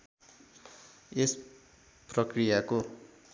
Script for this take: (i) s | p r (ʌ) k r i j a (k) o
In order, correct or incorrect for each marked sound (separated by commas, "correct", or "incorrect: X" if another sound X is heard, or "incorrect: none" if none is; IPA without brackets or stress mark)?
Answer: incorrect: e, correct, correct